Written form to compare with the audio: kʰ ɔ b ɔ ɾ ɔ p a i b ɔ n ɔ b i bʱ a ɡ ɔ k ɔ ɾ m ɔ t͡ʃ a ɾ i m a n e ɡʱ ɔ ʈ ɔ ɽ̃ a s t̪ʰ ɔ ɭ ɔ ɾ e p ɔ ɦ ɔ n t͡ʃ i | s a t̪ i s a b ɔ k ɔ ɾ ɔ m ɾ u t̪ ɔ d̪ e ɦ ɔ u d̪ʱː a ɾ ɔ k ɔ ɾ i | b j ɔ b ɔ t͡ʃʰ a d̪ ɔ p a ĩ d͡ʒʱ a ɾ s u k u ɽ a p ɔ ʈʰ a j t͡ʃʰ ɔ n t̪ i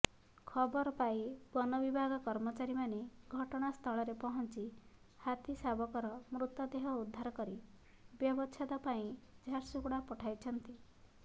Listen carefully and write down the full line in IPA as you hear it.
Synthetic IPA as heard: kʰ ɔ b ɔ ɾ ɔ p a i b ɔ n ɔ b i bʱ a ɡ ɔ k ɔ ɾ m ɔ t͡ʃ a ɾ i m a n e ɡʱ ɔ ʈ ɔ ɽ̃ a s t̪ʰ ɔ ɭ ɔ ɾ e p ɔ ɦ ɔ n t͡ʃ i | h a t̪ i s a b ɔ k ɔ ɾ ɔ m ɾ u t̪ ɔ d̪ e ɦ ɔ u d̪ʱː a ɾ ɔ k ɔ ɾ i | b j ɔ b ɔ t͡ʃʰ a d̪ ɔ p a ĩ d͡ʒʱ a ɾ s u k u ɽ a p ɔ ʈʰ a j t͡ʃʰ ɔ n t̪ i

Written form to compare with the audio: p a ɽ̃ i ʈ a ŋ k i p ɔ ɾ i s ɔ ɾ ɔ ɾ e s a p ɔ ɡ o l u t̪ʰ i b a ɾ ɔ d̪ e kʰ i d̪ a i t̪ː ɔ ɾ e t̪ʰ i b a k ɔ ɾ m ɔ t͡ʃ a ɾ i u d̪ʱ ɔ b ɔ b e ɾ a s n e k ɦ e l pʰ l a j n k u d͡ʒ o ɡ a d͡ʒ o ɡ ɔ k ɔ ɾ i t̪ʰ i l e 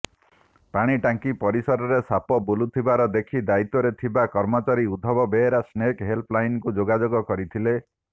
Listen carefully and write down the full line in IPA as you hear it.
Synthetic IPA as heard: p a ɽ̃ i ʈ a ŋ k i p ɔ ɾ i s ɔ ɾ ɔ ɾ e s a p ɔ b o l u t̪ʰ i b a ɾ ɔ d̪ e kʰ i d̪ a i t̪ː ɔ ɾ e t̪ʰ i b a k ɔ ɾ m ɔ t͡ʃ a ɾ i u d̪ʱ ɔ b ɔ b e ɾ a s n e k ɦ e l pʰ l a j n k u d͡ʒ o ɡ a d͡ʒ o ɡ ɔ k ɔ ɾ i t̪ʰ i l e

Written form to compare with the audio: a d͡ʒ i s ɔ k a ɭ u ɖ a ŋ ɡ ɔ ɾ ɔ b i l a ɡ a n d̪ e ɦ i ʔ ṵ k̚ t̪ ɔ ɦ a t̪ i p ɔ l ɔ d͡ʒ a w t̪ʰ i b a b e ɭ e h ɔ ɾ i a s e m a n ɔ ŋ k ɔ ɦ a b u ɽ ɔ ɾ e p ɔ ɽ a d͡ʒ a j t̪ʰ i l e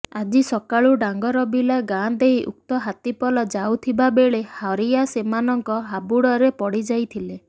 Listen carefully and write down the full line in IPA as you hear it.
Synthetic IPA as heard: a d͡ʒ i s ɔ k a ɭ u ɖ a ŋ ɡ ɔ ɾ ɔ b i l a ɡ a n d̪ e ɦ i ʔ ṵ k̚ t̪ ɔ ɦ a t̪ i p ɔ l ɔ d͡ʒ a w t̪ʰ i b a b e ɭ e h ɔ ɾ i a s e m a n ɔ ŋ k ɔ ɦ a b u ɽ ɔ ɾ e p ɔ ɽ i d͡ʒ a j t̪ʰ i l e

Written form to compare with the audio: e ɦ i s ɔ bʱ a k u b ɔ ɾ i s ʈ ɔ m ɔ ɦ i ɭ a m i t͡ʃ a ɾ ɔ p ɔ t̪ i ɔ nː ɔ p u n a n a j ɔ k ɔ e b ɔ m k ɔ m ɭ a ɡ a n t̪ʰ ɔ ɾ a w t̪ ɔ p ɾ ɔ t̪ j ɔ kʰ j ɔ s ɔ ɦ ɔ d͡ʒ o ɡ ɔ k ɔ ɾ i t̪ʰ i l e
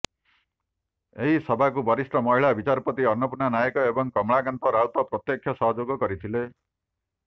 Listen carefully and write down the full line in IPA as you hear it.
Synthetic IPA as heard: e ɦ i s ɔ bʱ a k u b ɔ ɾ i s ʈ ɔ m ɔ ɦ i ɭ a b i t͡ʃ a ɾ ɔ p ɔ t̪ i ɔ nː ɔ p u n a n a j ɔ k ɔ e b ɔ ŋ k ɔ m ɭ a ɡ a n t̪ ɔ ɾ a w t̪ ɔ p ɾ ɔ t̪ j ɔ kʰ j ɔ s ɔ ɦ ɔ d͡ʒ o ɡ ɔ k ɔ ɾ i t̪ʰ i l e

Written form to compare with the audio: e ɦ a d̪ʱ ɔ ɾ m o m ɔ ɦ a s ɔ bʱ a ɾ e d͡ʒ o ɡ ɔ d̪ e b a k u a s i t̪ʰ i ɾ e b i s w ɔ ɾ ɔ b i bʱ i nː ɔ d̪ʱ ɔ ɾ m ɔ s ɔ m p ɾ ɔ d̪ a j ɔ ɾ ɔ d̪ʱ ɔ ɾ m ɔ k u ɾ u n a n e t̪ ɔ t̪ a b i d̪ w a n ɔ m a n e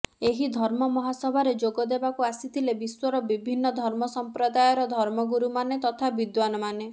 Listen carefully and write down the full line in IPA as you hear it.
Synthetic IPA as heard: e ɦ i d̪ʱ ɔ ɾ m ɔ m ɔ ɦ a s ɔ bʱ a ɾ e d͡ʒ o ɡ ɔ d̪ e b a k u a s i t̪ʰ i l e b i s w ɔ ɾ ɔ b i bʱ i nː ɔ d̪ʱ ɔ ɾ m ɔ s ɔ m p ɾ ɔ d̪ a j ɔ ɾ ɔ d̪ʱ ɔ ɾ m ɔ ɡ u ɾ u m a n e t̪ ɔ t̪ʰ a b i d̪ w a n ɔ m a n e

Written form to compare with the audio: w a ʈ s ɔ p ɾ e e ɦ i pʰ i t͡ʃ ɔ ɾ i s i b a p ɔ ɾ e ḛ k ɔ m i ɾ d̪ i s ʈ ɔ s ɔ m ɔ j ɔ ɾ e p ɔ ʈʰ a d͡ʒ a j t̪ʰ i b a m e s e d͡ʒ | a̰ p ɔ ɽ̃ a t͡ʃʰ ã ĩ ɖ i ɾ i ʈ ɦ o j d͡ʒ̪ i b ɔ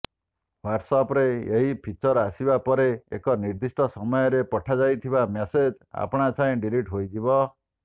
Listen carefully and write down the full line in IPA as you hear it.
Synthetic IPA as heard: w a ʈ s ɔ p ɾ e e ɦ i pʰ i t͡ʃ ɔ ɾ a s i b a p ɔ ɾ e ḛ k ɔ n i ɾ d̪ i s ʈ ɔ s ɔ m ɔ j ɔ ɾ e p ɔ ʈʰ a d͡ʒ a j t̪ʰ i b a m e s e d͡ʒ | a̰ p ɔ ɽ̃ a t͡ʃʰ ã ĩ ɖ i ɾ i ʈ ɦ o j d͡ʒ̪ i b ɔ

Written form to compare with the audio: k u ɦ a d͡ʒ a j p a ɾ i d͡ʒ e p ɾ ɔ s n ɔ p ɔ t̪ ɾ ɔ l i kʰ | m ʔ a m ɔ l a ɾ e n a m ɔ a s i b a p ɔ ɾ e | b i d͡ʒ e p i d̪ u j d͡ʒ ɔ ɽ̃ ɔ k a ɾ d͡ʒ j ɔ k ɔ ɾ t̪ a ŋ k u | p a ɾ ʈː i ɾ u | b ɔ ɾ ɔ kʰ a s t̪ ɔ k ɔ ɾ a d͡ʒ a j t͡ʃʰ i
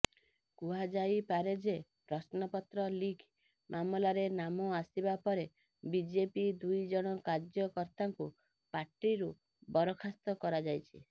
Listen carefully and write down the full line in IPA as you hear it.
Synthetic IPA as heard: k u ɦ a d͡ʒ a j p a ɾ e d͡ʒ e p ɾ ɔ s n ɔ p ɔ t̪ ɾ ɔ l i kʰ | m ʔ a m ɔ l a ɾ e n a m ɔ a s i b a p ɔ ɾ e | b i d͡ʒ e p i d̪ u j d͡ʒ ɔ ɽ̃ ɔ k a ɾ d͡ʒ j ɔ k ɔ ɾ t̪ a ŋ k u | p a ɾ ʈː i ɾ u | b ɔ ɾ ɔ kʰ a s t̪ ɔ k ɔ ɾ a d͡ʒ a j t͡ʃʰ i

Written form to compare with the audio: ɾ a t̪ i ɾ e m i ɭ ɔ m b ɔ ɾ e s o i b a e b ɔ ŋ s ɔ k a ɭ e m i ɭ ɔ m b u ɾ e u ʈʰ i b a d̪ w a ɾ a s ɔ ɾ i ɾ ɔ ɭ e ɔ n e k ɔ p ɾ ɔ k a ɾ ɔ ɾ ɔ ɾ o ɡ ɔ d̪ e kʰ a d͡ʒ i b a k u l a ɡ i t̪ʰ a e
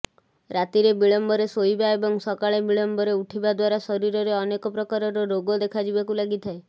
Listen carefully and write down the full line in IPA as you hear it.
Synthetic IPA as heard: ɾ a t̪ i ɾ e b i ɭ ɔ m b ɔ ɾ e s o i b a e b ɔ ŋ s ɔ k a ɭ e b i ɭ ɔ m b ɔ ɾ e u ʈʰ i b a d̪ w a ɾ a s ɔ ɾ i ɾ ɔ ɾ e ɔ n e k ɔ p ɾ ɔ k a ɾ ɔ ɾ ɔ ɾ o ɡ ɔ d̪ e kʰ a d͡ʒ i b a k u l a ɡ i t̪ʰ a e

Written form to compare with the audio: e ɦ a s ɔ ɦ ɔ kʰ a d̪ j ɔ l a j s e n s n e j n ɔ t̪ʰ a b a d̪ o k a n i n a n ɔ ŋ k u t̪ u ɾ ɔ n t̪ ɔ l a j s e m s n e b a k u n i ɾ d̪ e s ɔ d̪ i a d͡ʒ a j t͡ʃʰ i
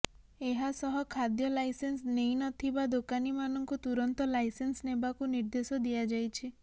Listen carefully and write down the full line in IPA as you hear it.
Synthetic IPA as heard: e ɦ a s ɔ ɦ ɔ kʰ a d̪ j ɔ l a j s e n s n e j n ɔ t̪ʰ i b a d̪ o k a n i m a n ɔ ŋ k u t̪ u ɾ ɔ n t̪ ɔ l a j s e n s n e b a k u n i ɾ d̪ e s ɔ d̪ i a d͡ʒ a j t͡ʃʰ i

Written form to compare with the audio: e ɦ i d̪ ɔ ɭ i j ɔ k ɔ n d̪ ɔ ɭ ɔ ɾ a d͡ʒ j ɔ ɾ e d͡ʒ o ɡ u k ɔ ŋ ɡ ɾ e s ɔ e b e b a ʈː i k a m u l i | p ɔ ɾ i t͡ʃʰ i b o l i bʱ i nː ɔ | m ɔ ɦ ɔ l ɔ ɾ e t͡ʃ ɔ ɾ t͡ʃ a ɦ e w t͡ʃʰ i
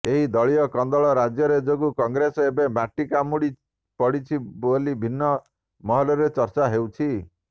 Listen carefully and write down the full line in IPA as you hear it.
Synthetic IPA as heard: e ɦ i d̪ ɔ ɭ i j ɔ k ɔ n d̪ ɔ ɭ ɔ ɾ a d͡ʒ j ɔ ɾ e d͡ʒ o ɡ u k ɔ ŋ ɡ ɾ e s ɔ e b e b a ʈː i k a m u ɽ i | p ɔ ɽ i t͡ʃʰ i b o l i bʱ i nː ɔ | m ɔ ɦ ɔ l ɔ ɾ e t͡ʃ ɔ ɾ t͡ʃ a ɦ e w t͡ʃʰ i

